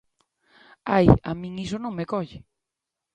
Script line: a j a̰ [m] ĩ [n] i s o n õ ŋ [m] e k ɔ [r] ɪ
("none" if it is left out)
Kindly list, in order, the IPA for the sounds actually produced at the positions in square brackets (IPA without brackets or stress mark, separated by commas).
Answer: m, ŋ, m, ʎ